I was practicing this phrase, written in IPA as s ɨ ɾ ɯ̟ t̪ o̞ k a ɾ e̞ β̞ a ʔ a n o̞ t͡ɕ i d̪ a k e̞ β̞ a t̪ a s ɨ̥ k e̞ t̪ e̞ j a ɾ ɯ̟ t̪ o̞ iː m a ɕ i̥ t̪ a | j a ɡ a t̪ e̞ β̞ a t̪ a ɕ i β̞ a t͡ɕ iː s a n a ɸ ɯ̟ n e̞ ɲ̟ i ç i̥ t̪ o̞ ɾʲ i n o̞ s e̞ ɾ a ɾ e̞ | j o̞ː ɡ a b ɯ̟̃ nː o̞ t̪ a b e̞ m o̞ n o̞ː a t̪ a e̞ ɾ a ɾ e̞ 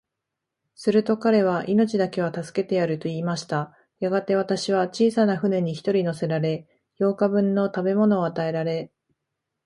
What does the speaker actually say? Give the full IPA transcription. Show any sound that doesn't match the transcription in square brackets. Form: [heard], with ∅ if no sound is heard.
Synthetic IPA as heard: s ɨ ɾ ɯ̟ t̪ o̞ k a ɾ e̞ β̞ a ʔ [i] n o̞ t͡ɕ i d̪ a k e̞ β̞ a t̪ a s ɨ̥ k e̞ t̪ e̞ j a ɾ ɯ̟ t̪ o̞ iː m a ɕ i̥ t̪ a | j a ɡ a t̪ e̞ β̞ a t̪ a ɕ i β̞ a t͡ɕ iː s a n a ɸ ɯ̟ n e̞ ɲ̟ i ç i̥ t̪ o̞ ɾʲ i n o̞ s e̞ ɾ a ɾ e̞ | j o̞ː [k] a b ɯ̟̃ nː o̞ t̪ a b e̞ m o̞ n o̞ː a t̪ a e̞ ɾ a ɾ e̞